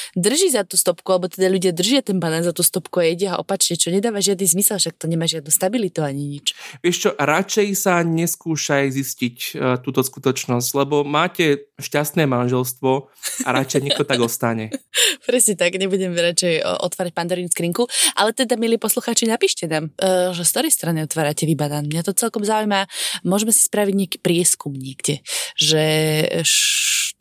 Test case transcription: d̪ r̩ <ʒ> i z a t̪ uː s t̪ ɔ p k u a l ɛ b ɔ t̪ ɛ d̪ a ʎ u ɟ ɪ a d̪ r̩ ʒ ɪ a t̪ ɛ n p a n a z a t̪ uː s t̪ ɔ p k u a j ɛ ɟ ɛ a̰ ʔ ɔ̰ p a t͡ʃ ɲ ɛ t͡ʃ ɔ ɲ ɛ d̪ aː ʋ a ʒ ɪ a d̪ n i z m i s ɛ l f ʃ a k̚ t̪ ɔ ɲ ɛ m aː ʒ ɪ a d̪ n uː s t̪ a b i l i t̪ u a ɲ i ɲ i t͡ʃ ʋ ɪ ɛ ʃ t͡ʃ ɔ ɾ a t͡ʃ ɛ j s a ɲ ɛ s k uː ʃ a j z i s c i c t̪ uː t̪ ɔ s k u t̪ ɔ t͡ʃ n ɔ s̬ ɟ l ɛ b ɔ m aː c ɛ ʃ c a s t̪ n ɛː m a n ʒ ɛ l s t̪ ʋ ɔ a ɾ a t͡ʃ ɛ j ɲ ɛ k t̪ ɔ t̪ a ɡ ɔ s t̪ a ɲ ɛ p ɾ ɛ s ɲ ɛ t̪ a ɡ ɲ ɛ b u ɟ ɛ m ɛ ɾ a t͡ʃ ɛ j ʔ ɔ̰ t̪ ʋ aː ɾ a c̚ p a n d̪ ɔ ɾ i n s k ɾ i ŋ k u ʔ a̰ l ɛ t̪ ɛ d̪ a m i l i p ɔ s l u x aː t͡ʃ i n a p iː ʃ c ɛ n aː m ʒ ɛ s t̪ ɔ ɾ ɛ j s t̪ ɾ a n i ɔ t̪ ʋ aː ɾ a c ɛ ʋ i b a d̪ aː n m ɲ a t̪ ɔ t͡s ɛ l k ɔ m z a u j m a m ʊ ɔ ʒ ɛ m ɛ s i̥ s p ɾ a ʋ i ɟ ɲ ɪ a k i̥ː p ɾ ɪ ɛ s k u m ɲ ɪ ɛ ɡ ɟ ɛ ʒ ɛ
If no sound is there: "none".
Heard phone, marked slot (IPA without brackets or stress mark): ʒ